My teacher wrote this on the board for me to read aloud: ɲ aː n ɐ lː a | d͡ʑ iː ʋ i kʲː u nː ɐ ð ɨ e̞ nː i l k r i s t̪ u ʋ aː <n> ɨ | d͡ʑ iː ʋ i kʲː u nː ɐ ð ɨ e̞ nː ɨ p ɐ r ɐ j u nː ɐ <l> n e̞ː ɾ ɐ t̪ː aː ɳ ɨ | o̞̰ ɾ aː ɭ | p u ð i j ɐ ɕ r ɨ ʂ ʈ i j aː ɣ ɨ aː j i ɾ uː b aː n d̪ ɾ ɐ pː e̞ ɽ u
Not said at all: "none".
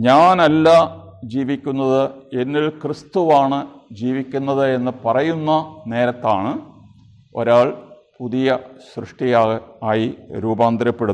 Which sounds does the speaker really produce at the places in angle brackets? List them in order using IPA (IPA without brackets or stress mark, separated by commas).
ɳ, none